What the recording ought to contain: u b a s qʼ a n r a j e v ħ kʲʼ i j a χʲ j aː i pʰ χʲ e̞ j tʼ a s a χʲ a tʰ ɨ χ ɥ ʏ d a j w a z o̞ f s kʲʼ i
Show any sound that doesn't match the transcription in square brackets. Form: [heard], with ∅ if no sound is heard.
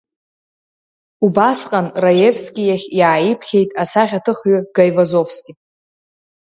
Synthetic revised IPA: u b a s qʼ a n r a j e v [s] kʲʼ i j a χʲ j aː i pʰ χʲ e̞ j tʼ a s a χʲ a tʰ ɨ χ ɥ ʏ [ɡ] a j [v] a z o̞ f s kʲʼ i